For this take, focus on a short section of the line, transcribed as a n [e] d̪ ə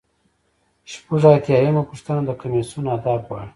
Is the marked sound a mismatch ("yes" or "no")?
yes